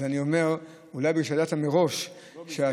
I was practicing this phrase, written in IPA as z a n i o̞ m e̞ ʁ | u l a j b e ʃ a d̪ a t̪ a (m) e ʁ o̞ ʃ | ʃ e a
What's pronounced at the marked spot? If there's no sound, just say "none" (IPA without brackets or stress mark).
m